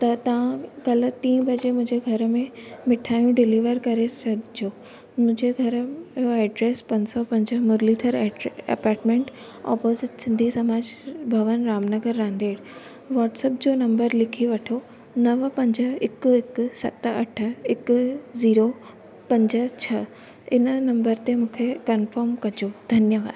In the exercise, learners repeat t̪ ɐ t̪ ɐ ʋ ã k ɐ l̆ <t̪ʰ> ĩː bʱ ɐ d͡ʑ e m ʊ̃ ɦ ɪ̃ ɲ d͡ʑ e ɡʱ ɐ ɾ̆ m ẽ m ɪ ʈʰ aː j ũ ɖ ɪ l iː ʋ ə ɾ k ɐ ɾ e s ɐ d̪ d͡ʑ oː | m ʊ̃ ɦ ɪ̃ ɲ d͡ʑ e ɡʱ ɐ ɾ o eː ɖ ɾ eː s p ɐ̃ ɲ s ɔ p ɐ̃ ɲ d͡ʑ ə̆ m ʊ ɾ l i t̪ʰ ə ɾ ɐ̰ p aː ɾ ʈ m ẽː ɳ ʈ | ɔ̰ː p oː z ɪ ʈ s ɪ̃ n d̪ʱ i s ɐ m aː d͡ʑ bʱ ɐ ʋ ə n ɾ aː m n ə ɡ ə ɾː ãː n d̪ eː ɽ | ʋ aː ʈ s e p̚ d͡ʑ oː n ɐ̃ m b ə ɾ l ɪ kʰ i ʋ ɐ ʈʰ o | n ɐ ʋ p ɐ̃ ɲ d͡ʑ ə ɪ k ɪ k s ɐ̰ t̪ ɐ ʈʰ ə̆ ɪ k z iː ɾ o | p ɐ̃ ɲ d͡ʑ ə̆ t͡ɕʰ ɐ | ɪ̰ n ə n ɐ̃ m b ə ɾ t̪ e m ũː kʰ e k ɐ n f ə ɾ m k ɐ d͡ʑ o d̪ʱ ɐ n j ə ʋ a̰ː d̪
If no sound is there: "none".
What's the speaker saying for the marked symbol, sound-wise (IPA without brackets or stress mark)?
t̪